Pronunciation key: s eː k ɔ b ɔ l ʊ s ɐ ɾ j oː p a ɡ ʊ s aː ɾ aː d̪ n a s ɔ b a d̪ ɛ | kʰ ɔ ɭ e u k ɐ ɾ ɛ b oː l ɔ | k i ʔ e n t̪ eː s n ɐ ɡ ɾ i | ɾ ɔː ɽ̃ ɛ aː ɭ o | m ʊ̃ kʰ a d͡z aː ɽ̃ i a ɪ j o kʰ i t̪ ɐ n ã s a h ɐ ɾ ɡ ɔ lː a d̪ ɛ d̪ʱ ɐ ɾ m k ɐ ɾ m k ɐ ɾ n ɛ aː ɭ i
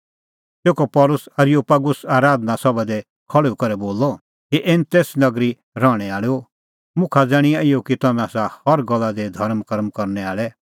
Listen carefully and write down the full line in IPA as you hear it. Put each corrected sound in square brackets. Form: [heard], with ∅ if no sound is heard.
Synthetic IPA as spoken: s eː k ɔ [p] ɔ l ʊ s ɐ ɾ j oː p a ɡ ʊ s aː ɾ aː d̪ n a s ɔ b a d̪ ɛ | kʰ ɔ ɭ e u k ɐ ɾ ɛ b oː l ɔ | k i ʔ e n t̪ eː s n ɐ ɡ ɾ i | ɾ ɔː ɽ̃ ɛ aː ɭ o | m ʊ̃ kʰ a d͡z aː ɽ̃ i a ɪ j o [k] i t̪ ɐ n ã s a h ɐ ɾ ɡ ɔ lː a d̪ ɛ d̪ʱ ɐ ɾ m k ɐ ɾ m k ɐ ɾ n ɛ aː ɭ [ɛ]